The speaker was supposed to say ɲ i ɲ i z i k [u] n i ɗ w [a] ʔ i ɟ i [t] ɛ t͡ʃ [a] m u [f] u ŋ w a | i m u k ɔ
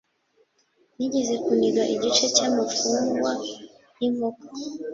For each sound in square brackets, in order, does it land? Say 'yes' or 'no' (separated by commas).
yes, yes, no, yes, yes